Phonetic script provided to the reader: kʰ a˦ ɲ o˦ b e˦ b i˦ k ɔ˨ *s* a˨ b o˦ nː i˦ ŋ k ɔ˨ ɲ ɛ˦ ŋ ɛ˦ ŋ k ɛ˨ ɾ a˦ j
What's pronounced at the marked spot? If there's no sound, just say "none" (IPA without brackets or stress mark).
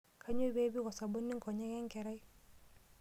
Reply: s